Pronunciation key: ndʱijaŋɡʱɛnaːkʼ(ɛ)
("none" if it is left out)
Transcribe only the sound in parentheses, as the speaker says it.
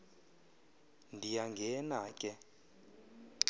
ɛ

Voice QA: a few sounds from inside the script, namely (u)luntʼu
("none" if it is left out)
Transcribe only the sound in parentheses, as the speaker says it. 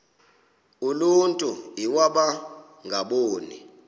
u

